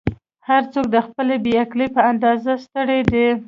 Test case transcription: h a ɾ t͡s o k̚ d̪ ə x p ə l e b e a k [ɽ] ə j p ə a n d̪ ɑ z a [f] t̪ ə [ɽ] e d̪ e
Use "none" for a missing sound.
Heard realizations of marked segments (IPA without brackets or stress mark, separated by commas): l, s, ɽ